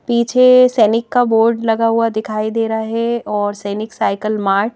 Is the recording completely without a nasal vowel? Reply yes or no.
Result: yes